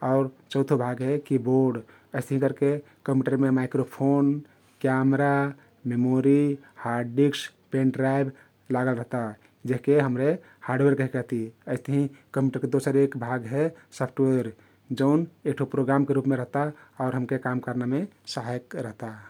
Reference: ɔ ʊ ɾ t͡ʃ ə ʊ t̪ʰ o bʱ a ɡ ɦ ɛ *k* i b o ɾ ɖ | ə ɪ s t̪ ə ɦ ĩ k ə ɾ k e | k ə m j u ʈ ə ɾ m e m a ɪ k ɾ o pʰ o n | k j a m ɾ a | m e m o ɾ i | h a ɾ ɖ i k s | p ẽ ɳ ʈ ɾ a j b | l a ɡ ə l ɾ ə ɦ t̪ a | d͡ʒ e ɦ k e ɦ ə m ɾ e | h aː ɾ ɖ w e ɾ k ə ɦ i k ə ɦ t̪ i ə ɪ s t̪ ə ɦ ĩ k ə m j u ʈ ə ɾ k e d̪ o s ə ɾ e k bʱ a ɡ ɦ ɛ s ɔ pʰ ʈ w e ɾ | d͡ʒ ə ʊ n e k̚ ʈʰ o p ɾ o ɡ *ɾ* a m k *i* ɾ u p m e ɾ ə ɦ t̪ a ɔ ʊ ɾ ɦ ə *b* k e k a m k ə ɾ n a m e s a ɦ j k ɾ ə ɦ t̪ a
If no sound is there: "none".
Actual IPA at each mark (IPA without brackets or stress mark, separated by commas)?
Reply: k, ɾ, e, m